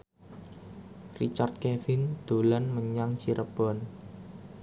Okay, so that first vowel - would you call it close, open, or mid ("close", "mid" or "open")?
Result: close